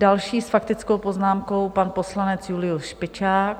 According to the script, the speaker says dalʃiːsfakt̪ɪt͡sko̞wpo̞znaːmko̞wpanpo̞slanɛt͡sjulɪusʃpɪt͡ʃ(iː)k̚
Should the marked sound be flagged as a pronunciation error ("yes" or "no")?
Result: yes